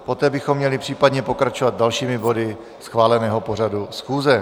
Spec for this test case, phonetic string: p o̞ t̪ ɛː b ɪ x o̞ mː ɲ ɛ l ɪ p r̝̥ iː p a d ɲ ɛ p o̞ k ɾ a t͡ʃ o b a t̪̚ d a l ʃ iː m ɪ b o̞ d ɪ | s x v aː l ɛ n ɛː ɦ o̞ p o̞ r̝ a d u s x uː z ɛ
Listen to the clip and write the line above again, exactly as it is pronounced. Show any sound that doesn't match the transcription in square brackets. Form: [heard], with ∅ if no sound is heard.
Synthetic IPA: p o̞ t̪ ɛː b ɪ x o̞ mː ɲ ɛ l ɪ p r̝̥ iː p a d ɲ ɛ p o̞ k ɾ a t͡ʃ o [v] a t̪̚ d a l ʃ iː m ɪ b o̞ d ɪ | s x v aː l ɛ n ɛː ɦ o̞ p o̞ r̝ a d u s x uː z ɛ